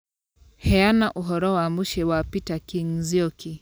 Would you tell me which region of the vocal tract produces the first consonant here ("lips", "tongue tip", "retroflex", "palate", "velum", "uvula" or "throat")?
throat